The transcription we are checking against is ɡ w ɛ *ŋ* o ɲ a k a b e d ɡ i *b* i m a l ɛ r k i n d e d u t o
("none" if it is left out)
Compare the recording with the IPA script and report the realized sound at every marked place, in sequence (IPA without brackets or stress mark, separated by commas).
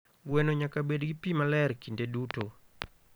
n, p